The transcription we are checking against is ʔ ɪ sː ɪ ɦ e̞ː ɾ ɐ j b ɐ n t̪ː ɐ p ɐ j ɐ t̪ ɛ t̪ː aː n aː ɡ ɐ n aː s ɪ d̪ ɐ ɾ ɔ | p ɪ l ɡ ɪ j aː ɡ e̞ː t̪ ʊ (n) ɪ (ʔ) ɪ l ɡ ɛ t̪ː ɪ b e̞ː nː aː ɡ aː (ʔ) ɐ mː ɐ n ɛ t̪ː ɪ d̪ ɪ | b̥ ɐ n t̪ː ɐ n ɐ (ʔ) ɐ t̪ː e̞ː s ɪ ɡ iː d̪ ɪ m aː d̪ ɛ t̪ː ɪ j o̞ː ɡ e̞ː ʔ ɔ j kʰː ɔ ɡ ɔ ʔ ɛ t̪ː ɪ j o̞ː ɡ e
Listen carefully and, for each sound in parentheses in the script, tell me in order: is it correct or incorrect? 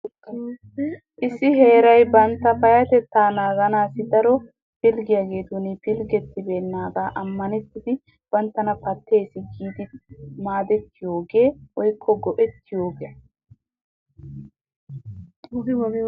correct, incorrect: p, correct, incorrect: p

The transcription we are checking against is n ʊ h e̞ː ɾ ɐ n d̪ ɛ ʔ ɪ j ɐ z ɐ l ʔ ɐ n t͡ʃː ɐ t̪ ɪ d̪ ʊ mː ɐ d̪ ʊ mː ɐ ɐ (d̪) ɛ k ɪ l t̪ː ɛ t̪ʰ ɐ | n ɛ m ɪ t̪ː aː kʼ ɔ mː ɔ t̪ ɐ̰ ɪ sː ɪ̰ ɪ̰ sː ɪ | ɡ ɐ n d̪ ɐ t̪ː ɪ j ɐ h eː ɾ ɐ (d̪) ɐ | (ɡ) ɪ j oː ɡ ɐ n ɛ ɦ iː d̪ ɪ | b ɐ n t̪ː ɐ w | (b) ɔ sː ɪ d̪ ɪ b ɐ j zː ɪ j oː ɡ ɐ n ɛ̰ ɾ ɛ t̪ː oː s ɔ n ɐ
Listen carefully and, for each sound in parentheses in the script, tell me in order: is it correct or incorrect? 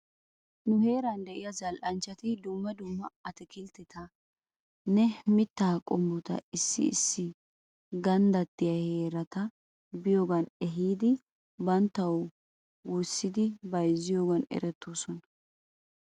incorrect: t̪, incorrect: t̪, incorrect: b, incorrect: w

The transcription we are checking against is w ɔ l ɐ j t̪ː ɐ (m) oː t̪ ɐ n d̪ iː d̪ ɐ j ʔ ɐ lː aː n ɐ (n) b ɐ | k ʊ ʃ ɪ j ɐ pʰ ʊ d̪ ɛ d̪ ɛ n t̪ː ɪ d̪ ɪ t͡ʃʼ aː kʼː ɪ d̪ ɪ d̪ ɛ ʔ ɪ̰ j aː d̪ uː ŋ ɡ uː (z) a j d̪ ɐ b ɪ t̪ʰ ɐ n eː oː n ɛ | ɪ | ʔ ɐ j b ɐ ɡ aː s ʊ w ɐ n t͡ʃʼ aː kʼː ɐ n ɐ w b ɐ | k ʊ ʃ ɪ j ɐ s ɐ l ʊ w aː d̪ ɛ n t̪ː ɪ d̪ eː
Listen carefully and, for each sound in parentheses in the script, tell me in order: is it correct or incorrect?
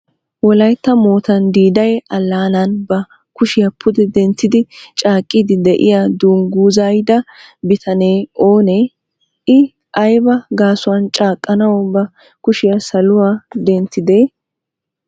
correct, correct, correct

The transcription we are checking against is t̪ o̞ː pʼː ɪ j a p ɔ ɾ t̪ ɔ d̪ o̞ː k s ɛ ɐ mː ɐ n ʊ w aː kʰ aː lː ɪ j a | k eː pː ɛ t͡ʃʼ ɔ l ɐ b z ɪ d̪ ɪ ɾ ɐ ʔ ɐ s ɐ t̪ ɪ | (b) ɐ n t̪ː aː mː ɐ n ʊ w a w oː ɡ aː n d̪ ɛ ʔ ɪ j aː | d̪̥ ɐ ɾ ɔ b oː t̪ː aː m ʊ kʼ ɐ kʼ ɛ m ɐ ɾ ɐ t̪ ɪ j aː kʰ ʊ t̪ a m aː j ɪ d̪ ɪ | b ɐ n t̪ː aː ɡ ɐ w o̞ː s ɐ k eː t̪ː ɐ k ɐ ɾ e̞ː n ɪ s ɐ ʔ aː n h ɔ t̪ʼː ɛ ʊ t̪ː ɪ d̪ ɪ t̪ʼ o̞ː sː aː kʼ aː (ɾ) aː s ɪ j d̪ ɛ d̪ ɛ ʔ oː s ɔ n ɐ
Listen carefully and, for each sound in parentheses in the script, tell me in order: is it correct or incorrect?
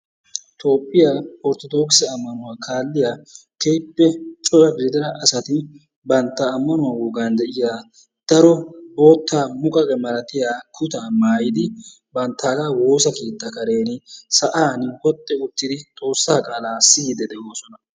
correct, incorrect: l

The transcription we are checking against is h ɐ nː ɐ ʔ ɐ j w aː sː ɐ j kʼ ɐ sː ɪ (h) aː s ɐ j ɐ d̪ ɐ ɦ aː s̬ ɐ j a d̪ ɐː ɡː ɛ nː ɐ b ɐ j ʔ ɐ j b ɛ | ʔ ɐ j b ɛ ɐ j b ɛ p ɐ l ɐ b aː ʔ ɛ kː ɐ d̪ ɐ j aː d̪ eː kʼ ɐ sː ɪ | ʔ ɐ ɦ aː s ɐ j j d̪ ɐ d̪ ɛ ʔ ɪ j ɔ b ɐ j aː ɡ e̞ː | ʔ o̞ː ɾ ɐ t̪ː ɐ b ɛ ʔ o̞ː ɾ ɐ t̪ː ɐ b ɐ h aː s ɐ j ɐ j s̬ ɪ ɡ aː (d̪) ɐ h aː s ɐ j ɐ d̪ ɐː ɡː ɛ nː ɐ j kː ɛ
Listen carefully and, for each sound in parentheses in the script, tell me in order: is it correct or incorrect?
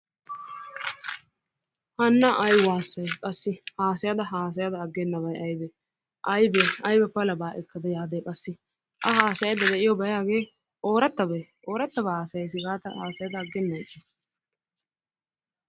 correct, incorrect: t̪

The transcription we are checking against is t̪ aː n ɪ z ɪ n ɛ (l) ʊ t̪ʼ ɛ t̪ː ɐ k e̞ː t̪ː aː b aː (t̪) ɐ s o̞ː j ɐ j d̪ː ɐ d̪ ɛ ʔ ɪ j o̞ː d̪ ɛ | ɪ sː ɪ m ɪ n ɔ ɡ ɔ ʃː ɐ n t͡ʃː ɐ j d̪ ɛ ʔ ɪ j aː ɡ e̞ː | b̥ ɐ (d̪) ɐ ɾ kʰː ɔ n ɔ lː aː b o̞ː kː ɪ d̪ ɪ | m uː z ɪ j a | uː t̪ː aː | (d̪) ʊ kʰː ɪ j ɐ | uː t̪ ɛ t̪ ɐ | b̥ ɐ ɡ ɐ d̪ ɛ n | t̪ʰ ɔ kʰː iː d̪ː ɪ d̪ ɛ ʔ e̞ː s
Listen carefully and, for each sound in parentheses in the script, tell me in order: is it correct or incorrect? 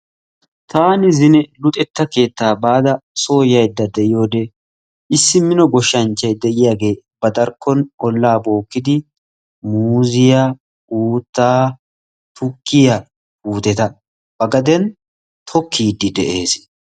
correct, incorrect: d̪, correct, incorrect: t̪

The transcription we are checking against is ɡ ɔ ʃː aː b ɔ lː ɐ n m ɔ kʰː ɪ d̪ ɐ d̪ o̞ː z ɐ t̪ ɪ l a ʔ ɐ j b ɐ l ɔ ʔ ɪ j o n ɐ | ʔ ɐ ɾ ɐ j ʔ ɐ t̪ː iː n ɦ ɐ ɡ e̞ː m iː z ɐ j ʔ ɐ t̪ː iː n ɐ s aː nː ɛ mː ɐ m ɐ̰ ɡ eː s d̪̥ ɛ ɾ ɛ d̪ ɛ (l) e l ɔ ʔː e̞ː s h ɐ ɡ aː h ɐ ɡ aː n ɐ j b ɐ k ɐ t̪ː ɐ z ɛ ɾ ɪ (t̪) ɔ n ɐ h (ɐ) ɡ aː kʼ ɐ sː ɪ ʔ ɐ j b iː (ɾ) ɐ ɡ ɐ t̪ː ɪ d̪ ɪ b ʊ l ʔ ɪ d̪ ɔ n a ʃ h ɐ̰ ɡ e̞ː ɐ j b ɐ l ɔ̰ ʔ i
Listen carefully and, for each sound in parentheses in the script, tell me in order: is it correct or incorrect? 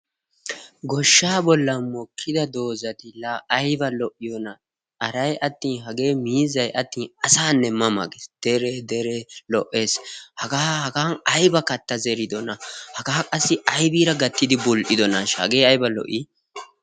incorrect: ɾ, incorrect: d̪, correct, correct

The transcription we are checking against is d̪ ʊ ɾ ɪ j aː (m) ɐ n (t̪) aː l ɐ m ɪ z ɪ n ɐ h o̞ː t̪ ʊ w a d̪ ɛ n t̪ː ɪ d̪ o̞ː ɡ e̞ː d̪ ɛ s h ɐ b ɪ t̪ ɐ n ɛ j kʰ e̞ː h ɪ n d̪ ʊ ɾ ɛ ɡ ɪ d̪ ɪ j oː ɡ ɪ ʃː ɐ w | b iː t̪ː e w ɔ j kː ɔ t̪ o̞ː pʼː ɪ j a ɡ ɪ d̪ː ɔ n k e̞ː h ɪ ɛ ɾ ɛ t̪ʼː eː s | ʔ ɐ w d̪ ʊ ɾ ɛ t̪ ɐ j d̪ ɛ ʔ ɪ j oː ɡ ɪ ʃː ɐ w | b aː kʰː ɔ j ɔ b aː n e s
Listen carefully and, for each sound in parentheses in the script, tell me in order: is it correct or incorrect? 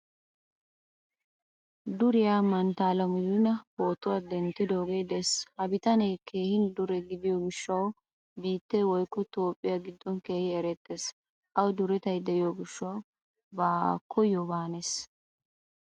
correct, correct

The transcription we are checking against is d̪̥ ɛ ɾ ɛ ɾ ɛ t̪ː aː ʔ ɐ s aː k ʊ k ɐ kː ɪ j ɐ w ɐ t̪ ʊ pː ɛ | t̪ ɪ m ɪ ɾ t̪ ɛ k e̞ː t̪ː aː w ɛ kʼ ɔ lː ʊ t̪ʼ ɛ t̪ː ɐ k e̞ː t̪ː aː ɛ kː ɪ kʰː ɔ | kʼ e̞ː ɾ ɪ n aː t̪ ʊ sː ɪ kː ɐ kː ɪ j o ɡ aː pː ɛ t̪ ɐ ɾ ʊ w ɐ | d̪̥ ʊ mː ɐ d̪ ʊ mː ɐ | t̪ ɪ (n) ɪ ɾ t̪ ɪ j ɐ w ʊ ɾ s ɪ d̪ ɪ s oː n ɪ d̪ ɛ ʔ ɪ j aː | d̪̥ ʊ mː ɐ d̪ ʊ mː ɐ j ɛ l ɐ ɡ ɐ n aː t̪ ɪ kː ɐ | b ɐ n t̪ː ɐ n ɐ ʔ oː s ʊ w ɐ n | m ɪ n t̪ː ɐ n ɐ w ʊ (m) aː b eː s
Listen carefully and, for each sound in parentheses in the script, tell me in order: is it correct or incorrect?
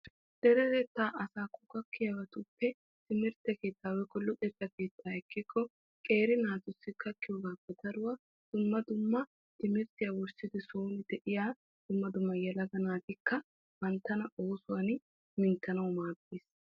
incorrect: m, correct

